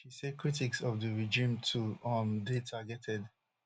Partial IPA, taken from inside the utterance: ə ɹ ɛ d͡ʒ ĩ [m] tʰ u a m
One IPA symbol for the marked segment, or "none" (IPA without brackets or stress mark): m